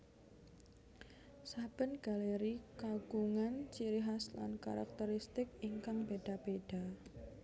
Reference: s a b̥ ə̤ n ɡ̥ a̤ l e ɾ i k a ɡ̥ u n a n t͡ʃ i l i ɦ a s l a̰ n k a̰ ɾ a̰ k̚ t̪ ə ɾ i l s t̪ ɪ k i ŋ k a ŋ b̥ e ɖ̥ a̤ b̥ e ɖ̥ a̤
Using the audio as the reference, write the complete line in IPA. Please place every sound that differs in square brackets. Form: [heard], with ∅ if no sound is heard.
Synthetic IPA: s a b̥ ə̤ n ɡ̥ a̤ l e ɾ i k a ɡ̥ u [ŋ] a n t͡ʃ i [ɾ] i ɦ a s l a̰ n k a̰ ɾ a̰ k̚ t̪ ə ɾ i [∅] s t̪ ɪ k i ŋ k a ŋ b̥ e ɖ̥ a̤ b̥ e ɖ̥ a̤